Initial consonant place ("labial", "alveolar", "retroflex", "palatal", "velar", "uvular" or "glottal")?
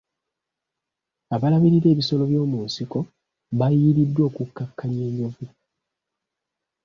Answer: labial